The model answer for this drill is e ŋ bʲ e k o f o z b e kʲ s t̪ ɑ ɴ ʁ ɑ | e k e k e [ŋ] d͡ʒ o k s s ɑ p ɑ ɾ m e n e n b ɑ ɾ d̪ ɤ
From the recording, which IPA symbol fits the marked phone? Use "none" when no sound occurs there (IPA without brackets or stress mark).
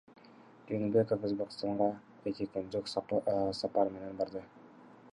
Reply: n